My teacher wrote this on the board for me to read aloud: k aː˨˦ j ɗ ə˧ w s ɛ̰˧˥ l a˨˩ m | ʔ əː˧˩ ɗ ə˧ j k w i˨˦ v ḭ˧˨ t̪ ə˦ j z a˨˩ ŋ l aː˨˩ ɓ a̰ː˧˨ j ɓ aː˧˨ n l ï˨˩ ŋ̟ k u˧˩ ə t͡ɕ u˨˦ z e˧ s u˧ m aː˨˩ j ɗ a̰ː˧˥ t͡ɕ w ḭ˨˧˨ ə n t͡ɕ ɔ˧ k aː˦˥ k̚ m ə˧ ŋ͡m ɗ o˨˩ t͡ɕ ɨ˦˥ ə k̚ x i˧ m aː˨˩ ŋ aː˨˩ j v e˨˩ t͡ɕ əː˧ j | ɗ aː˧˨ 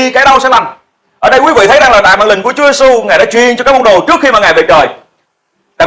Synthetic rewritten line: k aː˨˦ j ɗ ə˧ w s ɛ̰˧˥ l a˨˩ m | ʔ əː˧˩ ɗ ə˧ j k w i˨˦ v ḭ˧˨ t̪ʰ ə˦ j z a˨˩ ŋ l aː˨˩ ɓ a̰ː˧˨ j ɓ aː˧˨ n l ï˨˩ ŋ̟ k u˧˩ ə t͡ɕ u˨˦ z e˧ s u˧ ŋ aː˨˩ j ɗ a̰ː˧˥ t͡ɕ w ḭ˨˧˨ ə n t͡ɕ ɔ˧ k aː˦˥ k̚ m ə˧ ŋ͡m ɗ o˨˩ t͡ɕ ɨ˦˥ ə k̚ x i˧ m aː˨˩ ŋ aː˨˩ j v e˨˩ t͡ɕ əː˨˩ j | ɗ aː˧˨